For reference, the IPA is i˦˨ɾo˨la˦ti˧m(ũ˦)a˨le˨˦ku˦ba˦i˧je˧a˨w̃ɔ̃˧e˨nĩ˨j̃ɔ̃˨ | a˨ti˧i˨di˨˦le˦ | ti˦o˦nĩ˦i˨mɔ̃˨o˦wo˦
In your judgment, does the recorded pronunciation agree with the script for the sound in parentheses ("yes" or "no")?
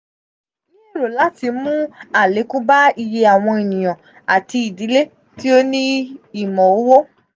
yes